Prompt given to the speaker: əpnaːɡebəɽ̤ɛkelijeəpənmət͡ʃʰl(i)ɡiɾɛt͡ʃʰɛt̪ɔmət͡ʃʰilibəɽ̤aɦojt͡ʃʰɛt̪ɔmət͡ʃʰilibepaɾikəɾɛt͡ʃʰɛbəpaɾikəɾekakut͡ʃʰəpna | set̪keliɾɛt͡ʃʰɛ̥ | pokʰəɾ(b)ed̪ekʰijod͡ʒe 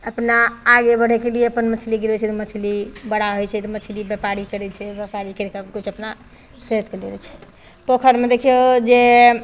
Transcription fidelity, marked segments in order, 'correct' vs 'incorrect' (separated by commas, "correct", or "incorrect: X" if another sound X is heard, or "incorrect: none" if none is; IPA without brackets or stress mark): correct, incorrect: m